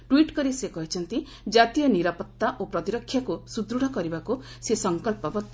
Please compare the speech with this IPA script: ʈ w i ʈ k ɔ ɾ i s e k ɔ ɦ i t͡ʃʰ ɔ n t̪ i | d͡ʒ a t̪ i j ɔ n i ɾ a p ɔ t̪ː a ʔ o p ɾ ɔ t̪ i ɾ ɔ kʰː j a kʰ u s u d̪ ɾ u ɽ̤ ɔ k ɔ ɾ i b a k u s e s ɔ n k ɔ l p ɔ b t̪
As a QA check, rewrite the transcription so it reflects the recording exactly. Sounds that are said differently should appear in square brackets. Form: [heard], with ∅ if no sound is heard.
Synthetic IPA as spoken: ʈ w i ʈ k ɔ ɾ i s e k ɔ ɦ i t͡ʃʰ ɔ n t̪ i | d͡ʒ a t̪ i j ɔ n i ɾ a p ɔ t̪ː a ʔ o p ɾ ɔ t̪ i ɾ ɔ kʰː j a [k] u s u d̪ ɾ u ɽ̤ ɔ k ɔ ɾ i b a k u s e s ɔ [ŋ] k ɔ l p ɔ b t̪